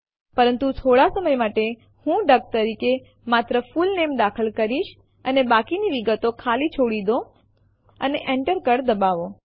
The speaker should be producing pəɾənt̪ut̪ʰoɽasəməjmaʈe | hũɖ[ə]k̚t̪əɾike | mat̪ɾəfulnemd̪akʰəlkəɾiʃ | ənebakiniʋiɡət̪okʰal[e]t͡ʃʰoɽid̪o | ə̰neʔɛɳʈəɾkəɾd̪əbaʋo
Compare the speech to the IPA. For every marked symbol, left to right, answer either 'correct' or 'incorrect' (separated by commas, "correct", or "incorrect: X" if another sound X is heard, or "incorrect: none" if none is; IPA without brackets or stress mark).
correct, incorrect: i